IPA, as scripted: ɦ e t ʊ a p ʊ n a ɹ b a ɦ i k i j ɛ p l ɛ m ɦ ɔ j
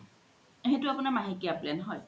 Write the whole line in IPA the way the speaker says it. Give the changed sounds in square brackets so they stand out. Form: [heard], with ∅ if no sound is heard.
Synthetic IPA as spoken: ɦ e t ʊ a p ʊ n a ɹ [m] a ɦ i k i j [a] p l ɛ [n] ɦ ɔ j